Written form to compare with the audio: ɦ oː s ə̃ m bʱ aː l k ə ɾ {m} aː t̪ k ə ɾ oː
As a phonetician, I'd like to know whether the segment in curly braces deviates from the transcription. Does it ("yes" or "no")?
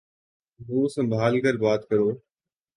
yes